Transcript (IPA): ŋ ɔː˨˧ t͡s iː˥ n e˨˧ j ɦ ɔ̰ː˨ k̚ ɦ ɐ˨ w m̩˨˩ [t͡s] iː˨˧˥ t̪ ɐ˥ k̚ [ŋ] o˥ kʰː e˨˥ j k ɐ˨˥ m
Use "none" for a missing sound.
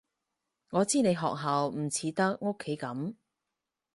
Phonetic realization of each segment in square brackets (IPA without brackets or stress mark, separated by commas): t͡sʰ, ŋ